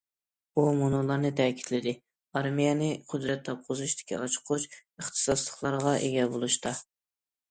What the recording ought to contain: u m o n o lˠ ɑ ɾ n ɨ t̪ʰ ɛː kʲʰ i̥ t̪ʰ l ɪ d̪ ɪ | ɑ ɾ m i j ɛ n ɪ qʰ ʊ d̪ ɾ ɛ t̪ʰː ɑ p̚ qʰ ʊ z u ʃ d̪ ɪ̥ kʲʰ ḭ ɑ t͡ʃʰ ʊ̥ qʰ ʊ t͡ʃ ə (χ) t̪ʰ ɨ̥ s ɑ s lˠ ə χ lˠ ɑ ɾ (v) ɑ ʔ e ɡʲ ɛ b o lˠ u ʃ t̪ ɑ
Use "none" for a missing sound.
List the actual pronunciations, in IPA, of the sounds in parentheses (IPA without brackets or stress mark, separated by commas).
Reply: χ, ʁ